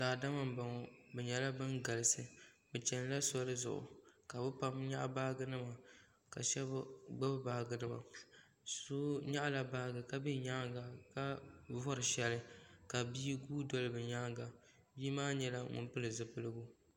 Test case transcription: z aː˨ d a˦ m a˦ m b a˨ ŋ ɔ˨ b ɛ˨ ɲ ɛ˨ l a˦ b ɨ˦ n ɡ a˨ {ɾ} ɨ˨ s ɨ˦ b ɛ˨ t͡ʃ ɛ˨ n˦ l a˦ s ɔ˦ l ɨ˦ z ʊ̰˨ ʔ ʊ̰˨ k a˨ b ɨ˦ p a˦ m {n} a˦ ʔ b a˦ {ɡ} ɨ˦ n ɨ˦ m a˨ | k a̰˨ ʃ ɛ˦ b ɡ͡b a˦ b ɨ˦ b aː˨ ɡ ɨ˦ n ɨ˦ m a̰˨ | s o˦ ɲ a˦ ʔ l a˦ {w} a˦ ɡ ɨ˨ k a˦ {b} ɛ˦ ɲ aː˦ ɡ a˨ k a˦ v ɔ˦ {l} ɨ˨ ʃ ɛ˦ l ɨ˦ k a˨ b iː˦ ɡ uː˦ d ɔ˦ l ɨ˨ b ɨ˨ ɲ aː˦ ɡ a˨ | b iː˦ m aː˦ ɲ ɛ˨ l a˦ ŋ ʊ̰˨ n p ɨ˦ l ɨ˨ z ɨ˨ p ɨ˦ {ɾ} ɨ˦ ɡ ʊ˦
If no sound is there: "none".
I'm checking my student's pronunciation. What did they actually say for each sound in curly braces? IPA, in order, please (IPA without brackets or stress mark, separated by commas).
l, ɲ, ɡ, b, b, ɾ, l